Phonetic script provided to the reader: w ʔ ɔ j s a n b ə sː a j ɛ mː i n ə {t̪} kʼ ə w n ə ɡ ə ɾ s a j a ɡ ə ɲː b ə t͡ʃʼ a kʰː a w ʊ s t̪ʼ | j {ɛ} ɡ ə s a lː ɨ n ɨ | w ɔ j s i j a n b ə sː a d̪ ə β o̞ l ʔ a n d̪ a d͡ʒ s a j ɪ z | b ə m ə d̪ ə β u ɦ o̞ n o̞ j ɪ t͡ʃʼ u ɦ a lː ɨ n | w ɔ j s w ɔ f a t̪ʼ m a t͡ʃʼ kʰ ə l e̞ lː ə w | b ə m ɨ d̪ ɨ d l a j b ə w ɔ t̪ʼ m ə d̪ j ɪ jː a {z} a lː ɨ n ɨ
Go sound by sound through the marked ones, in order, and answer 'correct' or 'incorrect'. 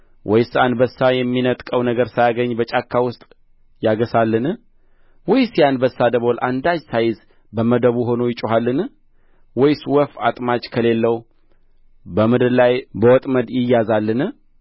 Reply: incorrect: t̪ʼ, incorrect: a, correct

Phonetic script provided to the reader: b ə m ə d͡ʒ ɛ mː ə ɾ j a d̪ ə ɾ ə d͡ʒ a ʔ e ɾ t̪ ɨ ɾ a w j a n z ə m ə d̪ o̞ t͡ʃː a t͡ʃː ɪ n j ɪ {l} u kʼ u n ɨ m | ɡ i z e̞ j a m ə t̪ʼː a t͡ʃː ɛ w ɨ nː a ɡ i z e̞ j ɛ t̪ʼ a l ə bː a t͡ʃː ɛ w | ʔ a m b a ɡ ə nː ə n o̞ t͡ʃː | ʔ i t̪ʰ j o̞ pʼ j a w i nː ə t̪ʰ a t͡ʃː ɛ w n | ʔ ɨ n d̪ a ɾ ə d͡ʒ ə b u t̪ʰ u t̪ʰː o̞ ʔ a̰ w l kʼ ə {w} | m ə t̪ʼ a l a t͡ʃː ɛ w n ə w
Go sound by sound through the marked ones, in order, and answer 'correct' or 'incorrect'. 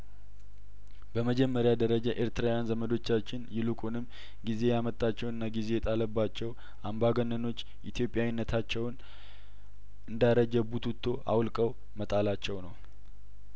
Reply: correct, correct

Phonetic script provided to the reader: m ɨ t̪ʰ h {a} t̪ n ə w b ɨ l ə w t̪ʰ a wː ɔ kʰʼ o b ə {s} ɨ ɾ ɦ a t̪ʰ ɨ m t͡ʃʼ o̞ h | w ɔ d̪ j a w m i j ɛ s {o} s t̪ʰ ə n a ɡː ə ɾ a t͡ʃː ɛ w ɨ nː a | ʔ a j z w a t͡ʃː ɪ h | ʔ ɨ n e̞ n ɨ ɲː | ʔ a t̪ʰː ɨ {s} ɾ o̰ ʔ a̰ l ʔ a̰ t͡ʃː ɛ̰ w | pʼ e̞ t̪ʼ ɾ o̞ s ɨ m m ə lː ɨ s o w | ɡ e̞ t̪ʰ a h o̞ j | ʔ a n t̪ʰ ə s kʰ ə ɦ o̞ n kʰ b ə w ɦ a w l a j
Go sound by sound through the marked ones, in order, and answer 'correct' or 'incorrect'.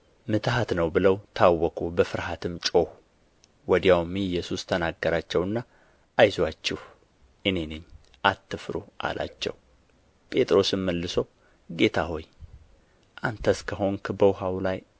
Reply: correct, incorrect: f, incorrect: u, incorrect: f

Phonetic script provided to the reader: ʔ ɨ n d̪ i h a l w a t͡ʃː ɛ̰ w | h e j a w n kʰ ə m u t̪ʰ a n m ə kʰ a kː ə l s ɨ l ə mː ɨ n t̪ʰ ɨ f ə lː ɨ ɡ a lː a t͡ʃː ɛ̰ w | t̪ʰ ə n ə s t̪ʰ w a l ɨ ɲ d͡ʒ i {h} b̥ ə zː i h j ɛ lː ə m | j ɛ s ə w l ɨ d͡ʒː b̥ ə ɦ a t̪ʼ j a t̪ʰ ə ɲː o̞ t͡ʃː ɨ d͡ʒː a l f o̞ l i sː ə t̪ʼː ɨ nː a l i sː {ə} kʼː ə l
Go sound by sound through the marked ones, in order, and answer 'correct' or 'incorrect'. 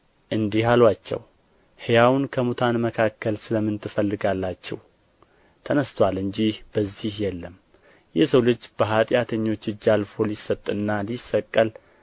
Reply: correct, correct

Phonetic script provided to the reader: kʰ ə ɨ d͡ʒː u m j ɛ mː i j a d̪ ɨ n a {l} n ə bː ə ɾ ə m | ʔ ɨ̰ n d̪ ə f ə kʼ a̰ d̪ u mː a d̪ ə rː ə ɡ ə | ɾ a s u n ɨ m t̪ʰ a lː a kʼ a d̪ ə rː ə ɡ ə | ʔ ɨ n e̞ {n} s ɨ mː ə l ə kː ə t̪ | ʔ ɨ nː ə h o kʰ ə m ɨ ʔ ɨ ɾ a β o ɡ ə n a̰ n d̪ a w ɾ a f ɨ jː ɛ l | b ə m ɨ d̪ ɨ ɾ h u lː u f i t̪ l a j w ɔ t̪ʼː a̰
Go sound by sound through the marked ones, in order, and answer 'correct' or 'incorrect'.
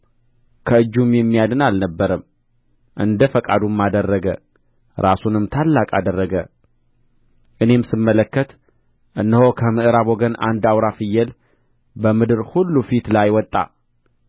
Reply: correct, incorrect: m

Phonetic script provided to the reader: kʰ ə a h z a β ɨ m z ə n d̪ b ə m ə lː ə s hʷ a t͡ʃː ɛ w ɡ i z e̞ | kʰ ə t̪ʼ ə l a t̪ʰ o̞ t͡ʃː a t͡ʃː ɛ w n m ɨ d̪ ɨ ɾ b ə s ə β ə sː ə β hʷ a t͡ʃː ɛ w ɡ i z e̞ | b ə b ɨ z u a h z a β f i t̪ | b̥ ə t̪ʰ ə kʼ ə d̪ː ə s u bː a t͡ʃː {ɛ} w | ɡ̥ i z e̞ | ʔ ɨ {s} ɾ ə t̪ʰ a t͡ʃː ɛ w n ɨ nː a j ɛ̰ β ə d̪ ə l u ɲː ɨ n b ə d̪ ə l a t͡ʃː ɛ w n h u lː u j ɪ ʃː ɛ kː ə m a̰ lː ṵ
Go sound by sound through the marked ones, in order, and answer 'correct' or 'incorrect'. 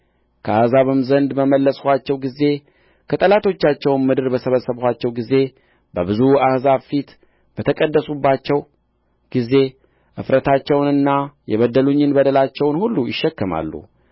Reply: correct, incorrect: f

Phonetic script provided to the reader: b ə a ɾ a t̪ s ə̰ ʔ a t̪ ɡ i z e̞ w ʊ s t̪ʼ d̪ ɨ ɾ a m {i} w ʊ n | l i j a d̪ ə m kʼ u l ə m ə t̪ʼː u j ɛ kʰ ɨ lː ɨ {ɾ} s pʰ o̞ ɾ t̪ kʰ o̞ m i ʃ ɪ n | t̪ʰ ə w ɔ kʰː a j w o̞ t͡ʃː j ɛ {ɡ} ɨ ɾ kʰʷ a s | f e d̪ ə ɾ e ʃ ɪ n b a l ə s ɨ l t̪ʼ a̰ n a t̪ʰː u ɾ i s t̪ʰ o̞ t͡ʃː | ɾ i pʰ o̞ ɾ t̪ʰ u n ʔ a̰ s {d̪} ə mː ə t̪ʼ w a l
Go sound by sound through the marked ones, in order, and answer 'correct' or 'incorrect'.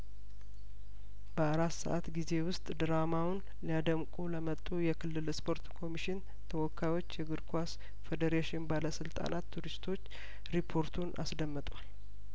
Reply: incorrect: a, incorrect: l, correct, correct

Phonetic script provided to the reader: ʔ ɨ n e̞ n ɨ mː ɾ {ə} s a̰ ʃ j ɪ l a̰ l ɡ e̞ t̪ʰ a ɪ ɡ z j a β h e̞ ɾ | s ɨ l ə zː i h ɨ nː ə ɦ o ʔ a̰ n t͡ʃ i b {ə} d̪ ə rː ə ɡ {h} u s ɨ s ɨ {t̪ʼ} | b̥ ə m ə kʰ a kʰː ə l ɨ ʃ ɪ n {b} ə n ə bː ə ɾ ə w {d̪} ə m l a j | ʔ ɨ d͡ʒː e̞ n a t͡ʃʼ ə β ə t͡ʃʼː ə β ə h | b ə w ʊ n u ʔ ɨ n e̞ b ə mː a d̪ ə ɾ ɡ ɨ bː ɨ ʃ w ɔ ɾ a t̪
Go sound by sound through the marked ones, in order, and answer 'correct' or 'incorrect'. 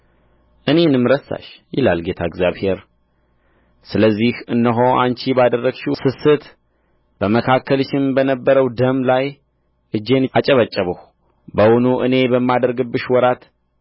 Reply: correct, incorrect: a, incorrect: ʃ, incorrect: t̪, correct, correct

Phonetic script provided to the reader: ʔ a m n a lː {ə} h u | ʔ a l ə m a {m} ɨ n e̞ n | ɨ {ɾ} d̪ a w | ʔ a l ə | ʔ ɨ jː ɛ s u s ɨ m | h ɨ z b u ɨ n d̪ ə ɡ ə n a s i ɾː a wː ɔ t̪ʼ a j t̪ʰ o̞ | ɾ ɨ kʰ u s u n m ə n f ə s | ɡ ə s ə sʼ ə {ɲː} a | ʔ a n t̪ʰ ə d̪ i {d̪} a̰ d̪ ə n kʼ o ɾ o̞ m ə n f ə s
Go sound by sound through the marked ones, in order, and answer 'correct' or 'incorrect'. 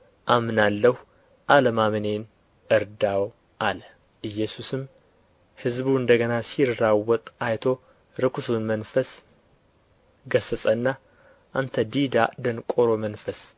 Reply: correct, correct, correct, incorrect: nː, correct

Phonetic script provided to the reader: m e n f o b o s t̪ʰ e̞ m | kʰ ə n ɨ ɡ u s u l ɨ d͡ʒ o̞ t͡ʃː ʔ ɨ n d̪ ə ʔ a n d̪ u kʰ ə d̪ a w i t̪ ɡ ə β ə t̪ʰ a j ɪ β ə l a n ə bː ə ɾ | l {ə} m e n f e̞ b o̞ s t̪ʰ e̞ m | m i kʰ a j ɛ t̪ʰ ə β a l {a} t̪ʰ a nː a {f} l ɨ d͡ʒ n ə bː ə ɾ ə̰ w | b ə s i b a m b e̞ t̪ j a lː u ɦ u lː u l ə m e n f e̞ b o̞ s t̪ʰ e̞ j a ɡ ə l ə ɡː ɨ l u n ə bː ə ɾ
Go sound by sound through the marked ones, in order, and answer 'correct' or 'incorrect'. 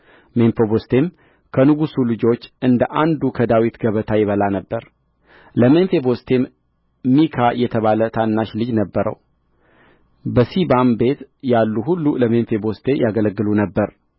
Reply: correct, incorrect: ə, incorrect: ʃ

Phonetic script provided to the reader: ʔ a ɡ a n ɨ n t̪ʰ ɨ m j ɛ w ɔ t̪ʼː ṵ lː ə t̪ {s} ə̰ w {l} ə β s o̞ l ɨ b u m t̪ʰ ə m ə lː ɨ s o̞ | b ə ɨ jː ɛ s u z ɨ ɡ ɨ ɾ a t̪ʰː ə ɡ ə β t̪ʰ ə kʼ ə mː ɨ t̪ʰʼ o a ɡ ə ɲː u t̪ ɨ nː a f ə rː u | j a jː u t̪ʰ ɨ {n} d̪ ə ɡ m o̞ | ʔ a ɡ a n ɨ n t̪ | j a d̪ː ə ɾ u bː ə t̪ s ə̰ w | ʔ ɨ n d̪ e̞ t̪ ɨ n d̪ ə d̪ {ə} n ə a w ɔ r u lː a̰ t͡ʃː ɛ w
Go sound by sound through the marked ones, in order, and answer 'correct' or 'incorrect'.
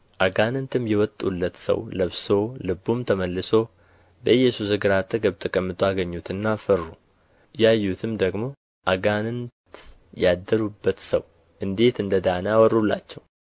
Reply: correct, correct, incorrect: m, incorrect: a

